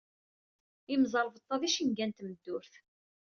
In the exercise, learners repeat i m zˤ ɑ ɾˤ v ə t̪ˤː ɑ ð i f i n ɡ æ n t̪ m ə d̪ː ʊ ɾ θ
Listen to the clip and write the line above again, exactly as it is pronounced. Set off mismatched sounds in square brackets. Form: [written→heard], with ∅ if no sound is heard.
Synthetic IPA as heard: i m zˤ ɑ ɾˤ v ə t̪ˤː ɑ ð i [f→ʃ] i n ɡ æ n t̪ m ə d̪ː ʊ ɾ θ